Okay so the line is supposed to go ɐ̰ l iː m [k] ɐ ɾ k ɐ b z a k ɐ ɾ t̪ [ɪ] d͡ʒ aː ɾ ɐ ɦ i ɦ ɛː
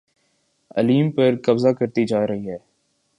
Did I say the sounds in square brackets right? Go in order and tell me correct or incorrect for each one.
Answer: incorrect: p, incorrect: i

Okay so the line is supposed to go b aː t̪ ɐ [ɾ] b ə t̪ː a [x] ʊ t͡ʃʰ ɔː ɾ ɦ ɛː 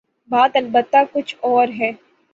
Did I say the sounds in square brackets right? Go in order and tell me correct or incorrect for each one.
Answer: incorrect: l, incorrect: k

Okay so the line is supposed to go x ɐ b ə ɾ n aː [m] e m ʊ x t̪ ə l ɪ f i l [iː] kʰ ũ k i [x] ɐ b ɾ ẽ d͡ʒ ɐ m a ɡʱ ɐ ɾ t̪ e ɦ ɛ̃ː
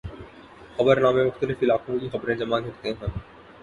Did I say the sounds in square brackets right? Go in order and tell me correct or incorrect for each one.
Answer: correct, incorrect: aː, correct

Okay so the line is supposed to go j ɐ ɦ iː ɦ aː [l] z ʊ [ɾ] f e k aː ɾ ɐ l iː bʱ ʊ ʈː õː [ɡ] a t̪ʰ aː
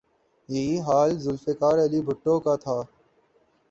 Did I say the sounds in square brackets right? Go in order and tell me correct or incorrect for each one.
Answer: correct, incorrect: l, incorrect: k

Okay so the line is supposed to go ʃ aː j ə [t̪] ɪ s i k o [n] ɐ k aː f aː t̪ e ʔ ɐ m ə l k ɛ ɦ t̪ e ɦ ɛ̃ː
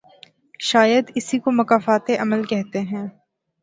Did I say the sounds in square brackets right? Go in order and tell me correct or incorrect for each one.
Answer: incorrect: d̪, incorrect: m

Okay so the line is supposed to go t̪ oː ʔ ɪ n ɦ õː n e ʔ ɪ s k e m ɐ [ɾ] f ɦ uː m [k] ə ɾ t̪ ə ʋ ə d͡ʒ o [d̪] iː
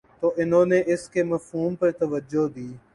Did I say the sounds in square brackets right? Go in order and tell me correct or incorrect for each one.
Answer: incorrect: none, incorrect: p, correct

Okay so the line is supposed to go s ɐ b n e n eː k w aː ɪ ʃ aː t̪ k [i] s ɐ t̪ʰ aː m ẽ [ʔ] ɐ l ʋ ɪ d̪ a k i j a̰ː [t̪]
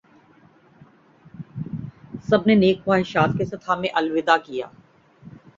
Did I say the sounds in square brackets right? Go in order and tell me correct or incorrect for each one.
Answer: incorrect: e, correct, incorrect: none

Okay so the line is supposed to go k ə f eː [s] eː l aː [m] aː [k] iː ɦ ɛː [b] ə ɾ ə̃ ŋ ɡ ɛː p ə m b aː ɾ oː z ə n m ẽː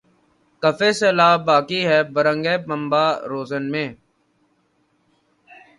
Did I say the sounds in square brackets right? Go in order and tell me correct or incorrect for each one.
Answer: correct, incorrect: b, correct, correct

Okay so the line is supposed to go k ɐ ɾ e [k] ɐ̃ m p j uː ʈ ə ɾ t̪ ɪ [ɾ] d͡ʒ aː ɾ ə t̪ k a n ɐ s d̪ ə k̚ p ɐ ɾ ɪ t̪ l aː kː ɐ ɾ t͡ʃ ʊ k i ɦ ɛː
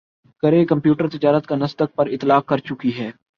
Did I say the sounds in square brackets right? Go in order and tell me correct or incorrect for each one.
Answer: correct, incorrect: none

